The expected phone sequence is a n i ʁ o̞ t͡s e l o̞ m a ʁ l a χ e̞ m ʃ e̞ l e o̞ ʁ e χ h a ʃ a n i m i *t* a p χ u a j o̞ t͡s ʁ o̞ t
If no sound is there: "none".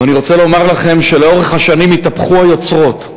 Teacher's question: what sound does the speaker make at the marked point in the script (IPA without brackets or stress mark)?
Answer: t